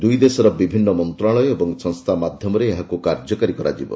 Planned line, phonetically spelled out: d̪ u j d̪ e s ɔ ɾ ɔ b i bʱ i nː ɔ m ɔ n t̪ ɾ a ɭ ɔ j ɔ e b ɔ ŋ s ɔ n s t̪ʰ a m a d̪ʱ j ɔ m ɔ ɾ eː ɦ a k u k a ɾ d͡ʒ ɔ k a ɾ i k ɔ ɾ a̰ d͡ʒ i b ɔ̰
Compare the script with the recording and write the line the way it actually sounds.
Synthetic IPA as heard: d̪ u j d̪ e s ɔ ɾ ɔ b i bʱ i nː ɔ m ɔ n t̪ ɾ a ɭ ɔ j ɔ e b ɔ ŋ s ɔ ŋ s t̪ʰ a m a d̪ʱ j ɔ m ɔ ɾ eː ɦ a k u k a ɾ d͡ʒ ɔ k a ɾ i k ɔ ɾ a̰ d͡ʒ i b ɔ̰